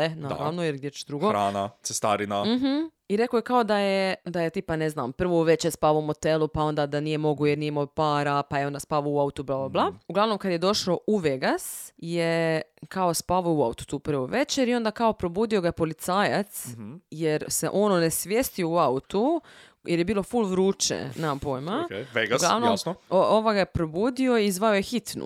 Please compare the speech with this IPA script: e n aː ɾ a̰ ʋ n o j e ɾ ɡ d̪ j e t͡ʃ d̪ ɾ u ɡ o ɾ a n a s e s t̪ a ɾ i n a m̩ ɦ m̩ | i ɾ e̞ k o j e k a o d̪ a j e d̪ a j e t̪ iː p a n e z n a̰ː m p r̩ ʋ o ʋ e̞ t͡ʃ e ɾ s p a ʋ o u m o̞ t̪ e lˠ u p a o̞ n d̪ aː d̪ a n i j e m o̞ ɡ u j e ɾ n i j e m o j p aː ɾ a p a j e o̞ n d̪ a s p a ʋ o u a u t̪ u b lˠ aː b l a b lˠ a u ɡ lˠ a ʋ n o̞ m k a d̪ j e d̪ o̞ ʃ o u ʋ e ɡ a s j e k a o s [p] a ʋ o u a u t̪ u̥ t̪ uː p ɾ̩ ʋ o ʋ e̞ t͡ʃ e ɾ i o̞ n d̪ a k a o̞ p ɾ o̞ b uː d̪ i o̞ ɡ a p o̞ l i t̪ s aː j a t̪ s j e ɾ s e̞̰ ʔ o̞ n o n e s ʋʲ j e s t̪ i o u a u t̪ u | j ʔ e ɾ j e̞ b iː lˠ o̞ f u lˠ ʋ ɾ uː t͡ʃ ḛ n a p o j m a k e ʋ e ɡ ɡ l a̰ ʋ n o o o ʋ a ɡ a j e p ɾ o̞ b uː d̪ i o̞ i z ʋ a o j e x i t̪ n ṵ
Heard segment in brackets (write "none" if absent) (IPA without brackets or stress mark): p